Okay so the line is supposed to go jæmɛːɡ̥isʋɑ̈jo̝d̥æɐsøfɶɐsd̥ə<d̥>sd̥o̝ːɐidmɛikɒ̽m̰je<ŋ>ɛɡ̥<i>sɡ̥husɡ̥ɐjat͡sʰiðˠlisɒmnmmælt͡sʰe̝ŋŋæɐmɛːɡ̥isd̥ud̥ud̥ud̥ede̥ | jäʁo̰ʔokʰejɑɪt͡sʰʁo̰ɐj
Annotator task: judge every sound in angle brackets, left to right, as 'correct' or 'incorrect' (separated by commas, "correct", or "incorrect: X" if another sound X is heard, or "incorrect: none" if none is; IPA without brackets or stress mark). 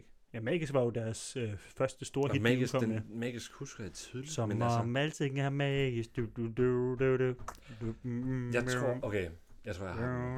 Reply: incorrect: none, incorrect: m, correct